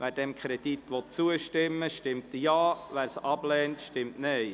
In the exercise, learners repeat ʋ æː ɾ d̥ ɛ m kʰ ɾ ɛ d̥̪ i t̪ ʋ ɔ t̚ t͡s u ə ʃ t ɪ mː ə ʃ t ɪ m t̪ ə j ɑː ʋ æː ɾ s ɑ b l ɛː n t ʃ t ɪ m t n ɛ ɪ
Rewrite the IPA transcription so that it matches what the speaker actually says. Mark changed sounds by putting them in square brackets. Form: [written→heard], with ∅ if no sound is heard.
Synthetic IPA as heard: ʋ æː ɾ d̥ ɛ m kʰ ɾ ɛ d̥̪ i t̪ ʋ ɔ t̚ t͡s u ə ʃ t ɪ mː ə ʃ t ɪ m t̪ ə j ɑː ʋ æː ɾ s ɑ b l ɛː n t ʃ t ɪ m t n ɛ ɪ